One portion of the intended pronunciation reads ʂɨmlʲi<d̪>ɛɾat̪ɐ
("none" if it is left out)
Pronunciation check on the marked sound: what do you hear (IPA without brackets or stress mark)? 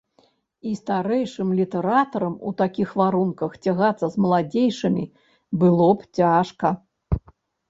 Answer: t̪